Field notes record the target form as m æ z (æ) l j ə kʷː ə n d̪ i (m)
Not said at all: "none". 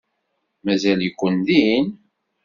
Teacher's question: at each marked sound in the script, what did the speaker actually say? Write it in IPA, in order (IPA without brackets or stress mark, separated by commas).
æ, n